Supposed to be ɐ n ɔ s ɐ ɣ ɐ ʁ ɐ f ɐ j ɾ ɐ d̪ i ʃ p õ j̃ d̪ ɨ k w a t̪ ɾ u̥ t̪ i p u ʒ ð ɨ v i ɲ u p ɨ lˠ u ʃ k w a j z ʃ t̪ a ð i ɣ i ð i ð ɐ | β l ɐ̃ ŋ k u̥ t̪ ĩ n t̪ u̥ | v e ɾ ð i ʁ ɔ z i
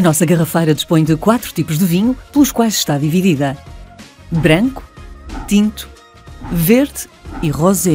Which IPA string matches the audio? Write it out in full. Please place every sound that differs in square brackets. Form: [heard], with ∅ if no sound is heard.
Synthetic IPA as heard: ɐ n ɔ s ɐ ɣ ɐ ʁ ɐ f ɐ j ɾ ɐ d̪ i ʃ p õ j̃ d̪ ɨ k w a t̪ ɾ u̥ t̪ i p u ʒ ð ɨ v i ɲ u p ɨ lˠ u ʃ k w a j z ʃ t̪ a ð i [v] i ð i ð ɐ | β [ɾ] ɐ̃ ŋ k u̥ t̪ ĩ n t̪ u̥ | v e ɾ ð i ʁ ɔ z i